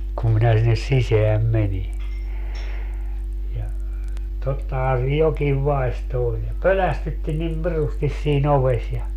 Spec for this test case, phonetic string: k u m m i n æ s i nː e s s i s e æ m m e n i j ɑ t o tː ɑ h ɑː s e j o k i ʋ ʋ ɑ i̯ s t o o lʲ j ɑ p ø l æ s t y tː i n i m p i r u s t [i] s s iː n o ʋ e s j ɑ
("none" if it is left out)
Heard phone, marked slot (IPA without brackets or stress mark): i